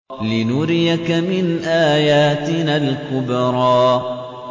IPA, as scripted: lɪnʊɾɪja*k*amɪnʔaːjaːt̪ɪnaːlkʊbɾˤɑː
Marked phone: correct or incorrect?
correct